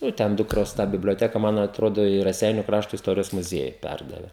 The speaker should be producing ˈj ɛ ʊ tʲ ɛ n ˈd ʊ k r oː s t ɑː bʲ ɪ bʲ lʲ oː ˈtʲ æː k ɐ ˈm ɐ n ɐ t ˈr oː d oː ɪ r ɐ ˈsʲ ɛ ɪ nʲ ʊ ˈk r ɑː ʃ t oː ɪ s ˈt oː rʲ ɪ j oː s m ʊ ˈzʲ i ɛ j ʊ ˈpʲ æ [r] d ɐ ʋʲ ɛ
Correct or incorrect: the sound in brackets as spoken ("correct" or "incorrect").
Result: correct